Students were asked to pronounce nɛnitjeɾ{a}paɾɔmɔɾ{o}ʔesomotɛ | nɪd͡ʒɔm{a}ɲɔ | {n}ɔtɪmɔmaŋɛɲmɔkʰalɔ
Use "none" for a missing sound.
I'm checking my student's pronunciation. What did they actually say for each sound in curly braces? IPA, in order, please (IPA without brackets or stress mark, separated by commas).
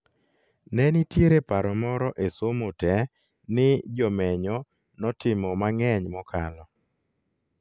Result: e, ɔ, ɛ, n